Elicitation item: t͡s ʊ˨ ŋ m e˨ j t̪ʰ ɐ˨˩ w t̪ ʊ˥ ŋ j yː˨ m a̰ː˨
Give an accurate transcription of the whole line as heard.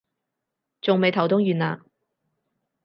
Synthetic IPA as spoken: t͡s ʊ˨ ŋ m e˨ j t̪ʰ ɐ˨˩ w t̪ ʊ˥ ŋ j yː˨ n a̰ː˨